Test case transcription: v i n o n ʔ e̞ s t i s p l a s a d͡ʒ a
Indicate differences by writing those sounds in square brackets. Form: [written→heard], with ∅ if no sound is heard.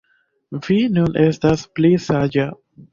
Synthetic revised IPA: v i n [o→u] n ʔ e̞ s t [i→a] s p l [a→i] s a d͡ʒ a